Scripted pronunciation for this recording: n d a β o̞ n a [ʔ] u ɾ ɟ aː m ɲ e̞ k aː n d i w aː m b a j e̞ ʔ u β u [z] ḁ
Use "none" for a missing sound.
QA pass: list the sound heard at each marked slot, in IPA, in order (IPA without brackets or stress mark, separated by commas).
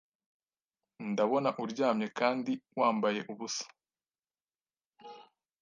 ʔ, s